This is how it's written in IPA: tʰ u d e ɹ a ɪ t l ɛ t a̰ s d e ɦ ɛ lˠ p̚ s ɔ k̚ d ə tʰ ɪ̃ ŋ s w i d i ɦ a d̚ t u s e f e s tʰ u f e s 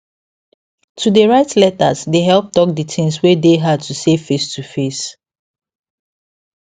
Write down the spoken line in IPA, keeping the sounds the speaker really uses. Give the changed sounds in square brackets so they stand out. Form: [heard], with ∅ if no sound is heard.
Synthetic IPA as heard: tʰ u d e ɹ a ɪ t l ɛ t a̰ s d e ɦ ɛ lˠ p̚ [t] ɔ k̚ d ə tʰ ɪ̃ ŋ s w [e] d [e] ɦ a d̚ t u s e f e s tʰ u f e s